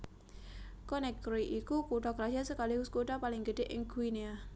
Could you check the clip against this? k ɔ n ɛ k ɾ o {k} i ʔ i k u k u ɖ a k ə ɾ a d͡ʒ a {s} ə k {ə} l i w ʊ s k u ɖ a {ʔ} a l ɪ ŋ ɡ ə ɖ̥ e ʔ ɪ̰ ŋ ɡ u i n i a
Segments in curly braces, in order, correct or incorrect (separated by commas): incorrect, correct, incorrect, incorrect